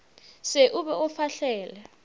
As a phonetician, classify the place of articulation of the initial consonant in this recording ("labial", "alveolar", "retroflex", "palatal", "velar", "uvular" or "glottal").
alveolar